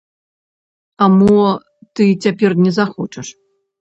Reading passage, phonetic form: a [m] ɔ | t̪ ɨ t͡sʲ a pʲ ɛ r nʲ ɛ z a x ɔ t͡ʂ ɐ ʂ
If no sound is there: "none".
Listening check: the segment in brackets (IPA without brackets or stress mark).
m